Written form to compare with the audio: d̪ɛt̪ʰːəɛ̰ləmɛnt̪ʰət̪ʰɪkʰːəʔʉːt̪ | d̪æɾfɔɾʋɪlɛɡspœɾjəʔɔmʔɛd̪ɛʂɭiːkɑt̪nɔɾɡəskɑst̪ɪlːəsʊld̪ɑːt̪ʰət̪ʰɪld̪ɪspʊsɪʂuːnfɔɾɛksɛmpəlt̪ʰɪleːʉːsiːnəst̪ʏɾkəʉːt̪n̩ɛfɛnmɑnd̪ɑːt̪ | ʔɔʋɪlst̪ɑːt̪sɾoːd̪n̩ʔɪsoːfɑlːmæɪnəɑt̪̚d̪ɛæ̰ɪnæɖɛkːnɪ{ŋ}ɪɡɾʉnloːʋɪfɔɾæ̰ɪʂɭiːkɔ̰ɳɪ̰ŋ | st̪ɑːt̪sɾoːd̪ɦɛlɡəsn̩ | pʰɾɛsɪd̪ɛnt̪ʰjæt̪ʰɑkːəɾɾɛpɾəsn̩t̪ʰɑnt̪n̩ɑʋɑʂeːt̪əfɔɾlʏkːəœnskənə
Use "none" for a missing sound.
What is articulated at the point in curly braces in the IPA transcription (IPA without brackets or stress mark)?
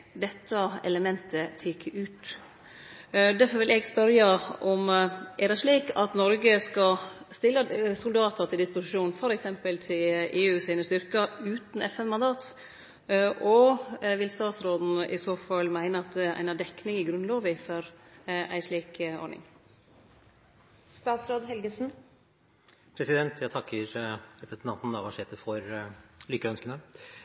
ŋ